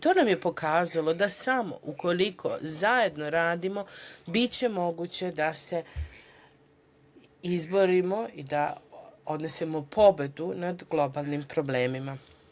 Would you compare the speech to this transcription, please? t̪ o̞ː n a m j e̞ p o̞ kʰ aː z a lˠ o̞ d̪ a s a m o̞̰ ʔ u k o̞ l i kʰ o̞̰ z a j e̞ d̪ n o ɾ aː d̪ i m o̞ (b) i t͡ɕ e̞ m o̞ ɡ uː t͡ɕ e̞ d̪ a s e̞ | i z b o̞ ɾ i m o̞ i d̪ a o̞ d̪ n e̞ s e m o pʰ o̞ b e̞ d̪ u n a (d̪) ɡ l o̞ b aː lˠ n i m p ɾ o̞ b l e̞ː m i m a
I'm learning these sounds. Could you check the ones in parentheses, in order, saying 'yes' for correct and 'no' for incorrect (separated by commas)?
yes, yes